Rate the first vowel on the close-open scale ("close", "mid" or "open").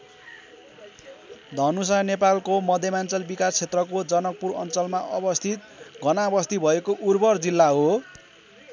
mid